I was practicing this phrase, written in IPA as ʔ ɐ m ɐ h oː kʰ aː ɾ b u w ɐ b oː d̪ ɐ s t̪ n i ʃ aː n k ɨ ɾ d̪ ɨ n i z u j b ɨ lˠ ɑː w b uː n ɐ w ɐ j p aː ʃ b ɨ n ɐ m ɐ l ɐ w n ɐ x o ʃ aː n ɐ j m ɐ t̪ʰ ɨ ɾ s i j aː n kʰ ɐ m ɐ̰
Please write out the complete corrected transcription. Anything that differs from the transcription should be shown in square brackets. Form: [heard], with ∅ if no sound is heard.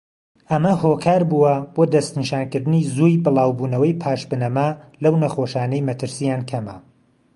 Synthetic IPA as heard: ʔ ɐ m ɐ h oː kʰ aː ɾ b u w ɐ b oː d̪ ɐ s t̪ n i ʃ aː n k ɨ ɾ d̪ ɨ n i z u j b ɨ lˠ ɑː w b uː n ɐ w ɐ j [pʰ] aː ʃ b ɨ n ɐ m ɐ l ɐ w n ɐ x o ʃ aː n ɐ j m ɐ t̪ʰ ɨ ɾ s i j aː n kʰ ɐ m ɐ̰

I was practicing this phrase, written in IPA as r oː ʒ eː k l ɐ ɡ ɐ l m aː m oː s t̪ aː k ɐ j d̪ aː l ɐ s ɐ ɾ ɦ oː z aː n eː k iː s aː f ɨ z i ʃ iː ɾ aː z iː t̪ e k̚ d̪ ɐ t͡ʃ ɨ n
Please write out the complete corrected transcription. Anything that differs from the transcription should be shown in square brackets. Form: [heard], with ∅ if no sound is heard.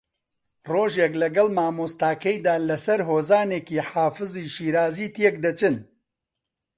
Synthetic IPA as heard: r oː ʒ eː k l ɐ ɡ ɐ l m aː m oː s t̪ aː k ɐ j d̪ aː l ɐ s ɐ ɾ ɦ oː z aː n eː k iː [ħ] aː f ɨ z i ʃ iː ɾ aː z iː t̪ e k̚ d̪ ɐ t͡ʃ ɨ n

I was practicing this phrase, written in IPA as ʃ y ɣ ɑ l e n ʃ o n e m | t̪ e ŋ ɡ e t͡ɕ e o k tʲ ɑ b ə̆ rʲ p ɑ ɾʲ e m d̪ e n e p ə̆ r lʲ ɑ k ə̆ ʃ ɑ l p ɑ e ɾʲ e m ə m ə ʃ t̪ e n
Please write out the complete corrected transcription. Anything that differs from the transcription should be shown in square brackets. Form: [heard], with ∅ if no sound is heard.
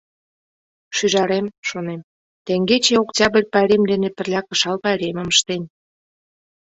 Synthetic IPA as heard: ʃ y [ʒ] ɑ [ɾ] e [m] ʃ o n e m | t̪ e ŋ ɡ e t͡ɕ e o k tʲ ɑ b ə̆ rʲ p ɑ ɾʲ e m d̪ e n e p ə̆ r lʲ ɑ k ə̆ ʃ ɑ l p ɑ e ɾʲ e m ə m ə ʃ t̪ e n

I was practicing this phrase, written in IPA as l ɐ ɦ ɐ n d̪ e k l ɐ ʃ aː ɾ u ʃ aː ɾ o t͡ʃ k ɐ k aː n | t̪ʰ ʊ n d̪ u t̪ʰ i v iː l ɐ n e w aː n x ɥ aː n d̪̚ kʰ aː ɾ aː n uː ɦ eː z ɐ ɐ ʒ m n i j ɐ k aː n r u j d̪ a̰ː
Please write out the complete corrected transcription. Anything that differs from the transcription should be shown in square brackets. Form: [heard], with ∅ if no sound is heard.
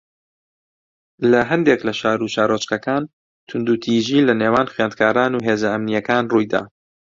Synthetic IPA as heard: l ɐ ɦ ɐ n d̪ e k l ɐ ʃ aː ɾ u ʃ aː ɾ o t͡ʃ k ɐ k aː n | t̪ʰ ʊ n d̪ u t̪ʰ i [ʒ] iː l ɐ n e w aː n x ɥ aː n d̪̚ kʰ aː ɾ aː n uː ɦ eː z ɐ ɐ [∅] m n i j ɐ k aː n r u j d̪ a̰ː

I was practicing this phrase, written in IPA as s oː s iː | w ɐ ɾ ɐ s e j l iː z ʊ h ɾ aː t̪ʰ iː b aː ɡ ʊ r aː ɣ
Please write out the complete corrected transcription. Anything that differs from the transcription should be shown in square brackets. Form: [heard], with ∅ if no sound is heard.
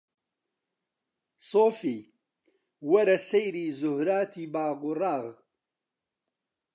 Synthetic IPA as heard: s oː [f] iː | w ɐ ɾ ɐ s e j [ɾ] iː z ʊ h ɾ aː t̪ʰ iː b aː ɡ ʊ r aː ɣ

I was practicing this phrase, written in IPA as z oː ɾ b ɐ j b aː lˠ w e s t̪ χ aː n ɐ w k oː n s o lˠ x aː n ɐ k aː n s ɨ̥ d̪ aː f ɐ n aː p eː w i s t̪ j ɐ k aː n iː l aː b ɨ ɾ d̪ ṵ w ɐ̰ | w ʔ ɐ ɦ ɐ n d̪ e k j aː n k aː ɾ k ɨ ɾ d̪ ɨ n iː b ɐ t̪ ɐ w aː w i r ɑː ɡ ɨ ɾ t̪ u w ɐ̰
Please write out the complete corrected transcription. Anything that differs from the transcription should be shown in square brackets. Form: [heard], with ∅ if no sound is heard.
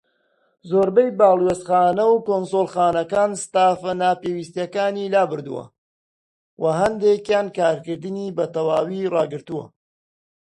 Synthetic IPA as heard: z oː ɾ b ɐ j b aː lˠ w e s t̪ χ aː n ɐ w k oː n s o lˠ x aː n ɐ k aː n s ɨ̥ [t̪] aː f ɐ n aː p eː w i s t̪ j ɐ k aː n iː l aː b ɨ ɾ d̪ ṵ w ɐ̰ | w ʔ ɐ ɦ ɐ n d̪ e k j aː n k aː ɾ k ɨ ɾ d̪ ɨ n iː b ɐ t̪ ɐ w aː w i r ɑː ɡ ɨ ɾ t̪ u w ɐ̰

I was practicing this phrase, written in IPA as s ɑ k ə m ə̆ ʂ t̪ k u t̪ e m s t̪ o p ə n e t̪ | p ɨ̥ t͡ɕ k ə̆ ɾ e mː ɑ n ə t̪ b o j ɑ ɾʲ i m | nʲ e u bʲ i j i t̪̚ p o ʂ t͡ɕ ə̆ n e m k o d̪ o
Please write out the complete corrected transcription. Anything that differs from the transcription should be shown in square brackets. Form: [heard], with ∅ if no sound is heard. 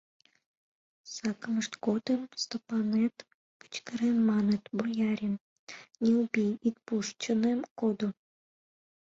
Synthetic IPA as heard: s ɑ k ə m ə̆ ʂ t̪ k [o] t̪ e m s t̪ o p [ɑ] n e t̪ | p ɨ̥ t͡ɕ k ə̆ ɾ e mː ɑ n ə t̪ b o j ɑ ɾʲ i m | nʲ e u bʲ i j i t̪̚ p [u] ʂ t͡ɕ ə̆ n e m k o d̪ o

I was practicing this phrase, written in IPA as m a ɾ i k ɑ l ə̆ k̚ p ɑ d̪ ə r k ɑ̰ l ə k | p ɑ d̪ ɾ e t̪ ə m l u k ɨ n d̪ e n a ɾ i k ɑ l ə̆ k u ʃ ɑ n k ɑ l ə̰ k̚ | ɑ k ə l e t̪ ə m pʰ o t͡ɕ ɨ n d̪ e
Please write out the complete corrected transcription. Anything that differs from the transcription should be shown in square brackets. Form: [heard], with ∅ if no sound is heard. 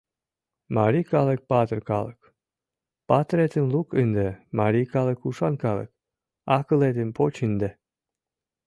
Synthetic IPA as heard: m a ɾ i k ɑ l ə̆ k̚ p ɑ [t̪] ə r k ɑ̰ l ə k | p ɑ [t̪] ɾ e t̪ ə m l u k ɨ n d̪ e [m] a ɾ i k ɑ l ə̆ k u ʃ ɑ n k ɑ l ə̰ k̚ | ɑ k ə l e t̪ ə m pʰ o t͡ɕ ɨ n d̪ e

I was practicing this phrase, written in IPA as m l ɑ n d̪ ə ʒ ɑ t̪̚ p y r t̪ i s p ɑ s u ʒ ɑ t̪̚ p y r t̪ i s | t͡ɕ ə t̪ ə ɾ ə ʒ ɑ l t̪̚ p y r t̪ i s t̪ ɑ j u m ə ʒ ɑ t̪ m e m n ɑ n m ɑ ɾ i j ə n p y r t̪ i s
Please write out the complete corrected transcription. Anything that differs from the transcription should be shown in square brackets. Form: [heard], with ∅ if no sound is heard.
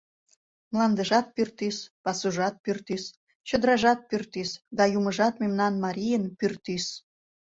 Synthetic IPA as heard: m l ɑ n d̪ ə ʒ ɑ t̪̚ p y r t̪ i s p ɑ s u ʒ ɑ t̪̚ p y r t̪ i s | t͡ɕ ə [d̪] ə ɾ [ɑ] ʒ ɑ [∅] t̪̚ p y r t̪ i s [d̪] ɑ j u m ə ʒ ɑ t̪ m e m n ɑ n m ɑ ɾ i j ə n p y r t̪ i s

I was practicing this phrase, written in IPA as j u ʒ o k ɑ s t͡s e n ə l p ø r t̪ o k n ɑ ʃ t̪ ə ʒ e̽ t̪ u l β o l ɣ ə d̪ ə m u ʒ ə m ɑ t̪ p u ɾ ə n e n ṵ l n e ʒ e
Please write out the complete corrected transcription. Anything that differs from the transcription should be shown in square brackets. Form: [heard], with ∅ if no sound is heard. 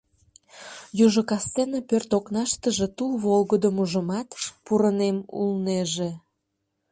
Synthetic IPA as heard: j u ʒ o k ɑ s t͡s e n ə [∅] p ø r t̪ o k n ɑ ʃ t̪ ə ʒ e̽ t̪ u l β o l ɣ ə d̪ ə m u ʒ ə m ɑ t̪ p u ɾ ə n e [m] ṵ l n e ʒ e

